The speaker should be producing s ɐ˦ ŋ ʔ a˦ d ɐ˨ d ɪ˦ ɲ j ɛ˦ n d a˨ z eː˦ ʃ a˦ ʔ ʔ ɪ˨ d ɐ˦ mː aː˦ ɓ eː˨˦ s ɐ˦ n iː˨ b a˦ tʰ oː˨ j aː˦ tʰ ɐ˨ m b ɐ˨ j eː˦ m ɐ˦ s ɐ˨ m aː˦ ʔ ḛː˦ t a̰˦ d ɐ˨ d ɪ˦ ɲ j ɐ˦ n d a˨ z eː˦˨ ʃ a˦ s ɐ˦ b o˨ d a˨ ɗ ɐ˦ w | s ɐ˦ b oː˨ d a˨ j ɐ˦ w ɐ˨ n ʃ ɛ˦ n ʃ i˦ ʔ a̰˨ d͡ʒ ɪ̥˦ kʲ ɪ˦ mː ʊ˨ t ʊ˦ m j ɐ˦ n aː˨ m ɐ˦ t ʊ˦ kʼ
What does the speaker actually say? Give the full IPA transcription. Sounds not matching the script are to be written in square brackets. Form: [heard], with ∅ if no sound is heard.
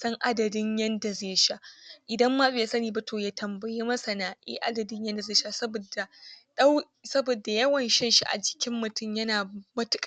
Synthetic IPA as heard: s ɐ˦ ŋ ʔ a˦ d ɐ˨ d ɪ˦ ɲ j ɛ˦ n d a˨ z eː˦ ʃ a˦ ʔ ʔ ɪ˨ d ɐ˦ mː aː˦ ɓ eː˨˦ s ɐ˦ n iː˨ b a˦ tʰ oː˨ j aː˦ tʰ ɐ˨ m b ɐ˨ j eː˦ m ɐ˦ s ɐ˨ [n] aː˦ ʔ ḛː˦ [ʔ] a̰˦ d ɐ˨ d ɪ˦ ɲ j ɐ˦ n d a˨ z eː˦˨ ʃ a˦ s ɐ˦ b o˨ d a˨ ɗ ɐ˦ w | s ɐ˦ b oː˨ d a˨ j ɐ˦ w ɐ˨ n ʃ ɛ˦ n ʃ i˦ ʔ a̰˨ d͡ʒ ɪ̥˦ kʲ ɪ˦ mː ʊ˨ t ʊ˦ m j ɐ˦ n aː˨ m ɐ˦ t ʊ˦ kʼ